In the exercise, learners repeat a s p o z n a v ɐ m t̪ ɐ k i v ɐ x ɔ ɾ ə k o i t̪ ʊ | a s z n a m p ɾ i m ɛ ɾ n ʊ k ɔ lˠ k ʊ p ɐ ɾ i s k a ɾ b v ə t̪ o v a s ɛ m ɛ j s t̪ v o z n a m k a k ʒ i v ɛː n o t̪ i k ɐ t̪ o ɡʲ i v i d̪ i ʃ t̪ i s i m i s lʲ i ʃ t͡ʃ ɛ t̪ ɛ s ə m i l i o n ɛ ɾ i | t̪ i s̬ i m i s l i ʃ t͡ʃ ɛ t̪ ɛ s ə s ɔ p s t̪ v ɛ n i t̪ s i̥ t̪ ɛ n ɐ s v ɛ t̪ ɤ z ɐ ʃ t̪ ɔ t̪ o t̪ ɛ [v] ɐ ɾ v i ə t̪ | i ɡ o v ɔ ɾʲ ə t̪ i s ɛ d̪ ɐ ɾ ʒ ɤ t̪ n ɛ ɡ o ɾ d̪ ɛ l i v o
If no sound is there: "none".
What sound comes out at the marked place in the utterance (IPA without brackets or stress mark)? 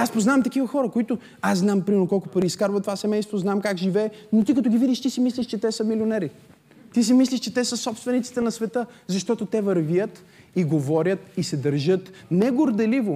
v